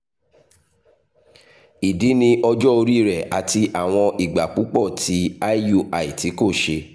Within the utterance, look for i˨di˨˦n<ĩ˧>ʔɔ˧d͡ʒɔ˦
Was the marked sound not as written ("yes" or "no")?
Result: no